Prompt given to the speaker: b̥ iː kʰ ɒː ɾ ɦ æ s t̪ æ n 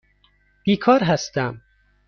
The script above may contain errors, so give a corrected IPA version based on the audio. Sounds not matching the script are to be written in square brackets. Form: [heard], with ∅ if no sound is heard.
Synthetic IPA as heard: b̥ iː kʰ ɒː ɾ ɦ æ s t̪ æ [m]